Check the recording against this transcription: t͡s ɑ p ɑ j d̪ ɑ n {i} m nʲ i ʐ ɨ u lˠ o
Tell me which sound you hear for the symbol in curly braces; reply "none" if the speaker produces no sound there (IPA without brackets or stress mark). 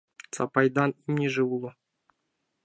i